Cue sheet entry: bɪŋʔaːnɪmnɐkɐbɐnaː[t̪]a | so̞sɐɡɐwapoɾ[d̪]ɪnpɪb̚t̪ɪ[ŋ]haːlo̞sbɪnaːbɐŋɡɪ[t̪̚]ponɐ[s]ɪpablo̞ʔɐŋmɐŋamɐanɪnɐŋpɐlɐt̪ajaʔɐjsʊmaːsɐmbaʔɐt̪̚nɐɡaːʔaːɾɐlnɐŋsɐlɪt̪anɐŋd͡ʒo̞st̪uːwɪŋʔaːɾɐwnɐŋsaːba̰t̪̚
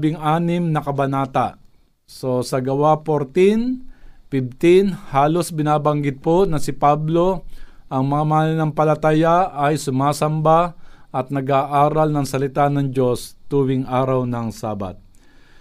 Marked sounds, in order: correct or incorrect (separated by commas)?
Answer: correct, incorrect, incorrect, incorrect, correct